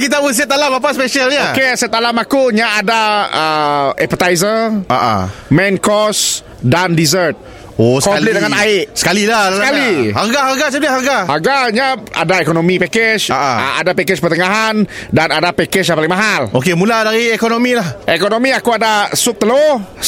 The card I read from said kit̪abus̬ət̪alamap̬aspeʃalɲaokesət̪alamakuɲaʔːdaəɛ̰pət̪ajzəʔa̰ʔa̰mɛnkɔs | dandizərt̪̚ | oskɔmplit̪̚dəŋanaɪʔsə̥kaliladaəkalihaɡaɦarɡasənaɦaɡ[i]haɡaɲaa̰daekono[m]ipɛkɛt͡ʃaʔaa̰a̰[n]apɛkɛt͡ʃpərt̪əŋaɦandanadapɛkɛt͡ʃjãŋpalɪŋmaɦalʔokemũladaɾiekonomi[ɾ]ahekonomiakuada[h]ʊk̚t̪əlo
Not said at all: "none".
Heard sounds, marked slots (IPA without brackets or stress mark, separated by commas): a, m, d, l, s